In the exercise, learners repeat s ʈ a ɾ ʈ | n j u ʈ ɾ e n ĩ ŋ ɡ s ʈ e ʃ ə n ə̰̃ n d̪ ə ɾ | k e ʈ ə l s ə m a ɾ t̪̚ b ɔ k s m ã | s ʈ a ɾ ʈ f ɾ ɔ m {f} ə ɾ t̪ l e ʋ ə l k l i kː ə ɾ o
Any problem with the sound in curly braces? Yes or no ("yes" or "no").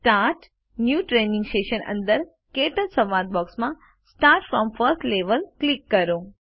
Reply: no